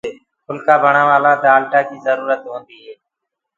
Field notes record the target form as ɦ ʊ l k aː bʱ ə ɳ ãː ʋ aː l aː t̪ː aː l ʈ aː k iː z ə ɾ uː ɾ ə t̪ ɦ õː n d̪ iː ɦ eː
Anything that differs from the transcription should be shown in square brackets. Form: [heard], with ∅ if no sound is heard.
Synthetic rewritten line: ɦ ʊ l k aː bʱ ə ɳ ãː ʋ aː l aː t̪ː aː l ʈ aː k iː z ə ɾ uː ɾ ə t̪ ɦ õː n d̪ iː ɦ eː